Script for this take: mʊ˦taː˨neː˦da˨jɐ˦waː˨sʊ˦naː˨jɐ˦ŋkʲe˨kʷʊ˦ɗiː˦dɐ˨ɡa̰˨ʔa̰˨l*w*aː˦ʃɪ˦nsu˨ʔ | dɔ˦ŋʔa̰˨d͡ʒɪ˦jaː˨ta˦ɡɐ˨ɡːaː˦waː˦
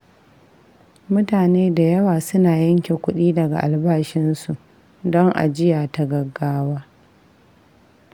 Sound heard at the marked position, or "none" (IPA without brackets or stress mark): b